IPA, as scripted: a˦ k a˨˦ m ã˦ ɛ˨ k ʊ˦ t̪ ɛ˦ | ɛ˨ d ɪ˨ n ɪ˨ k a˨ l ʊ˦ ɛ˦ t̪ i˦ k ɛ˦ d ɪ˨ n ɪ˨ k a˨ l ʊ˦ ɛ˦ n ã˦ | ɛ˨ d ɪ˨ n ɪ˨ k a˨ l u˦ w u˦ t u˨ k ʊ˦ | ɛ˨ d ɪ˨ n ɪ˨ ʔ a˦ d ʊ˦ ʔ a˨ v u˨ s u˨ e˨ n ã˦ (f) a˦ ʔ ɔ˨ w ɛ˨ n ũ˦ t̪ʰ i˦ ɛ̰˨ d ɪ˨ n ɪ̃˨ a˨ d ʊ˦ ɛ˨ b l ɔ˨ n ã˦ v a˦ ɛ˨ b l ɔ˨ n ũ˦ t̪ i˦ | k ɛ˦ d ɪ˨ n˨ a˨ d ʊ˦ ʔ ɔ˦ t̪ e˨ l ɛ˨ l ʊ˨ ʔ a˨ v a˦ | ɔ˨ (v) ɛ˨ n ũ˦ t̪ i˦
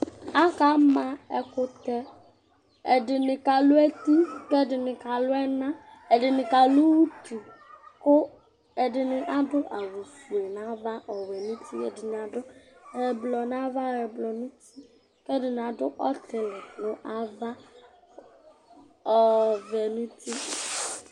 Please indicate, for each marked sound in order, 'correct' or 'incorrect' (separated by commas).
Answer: incorrect, correct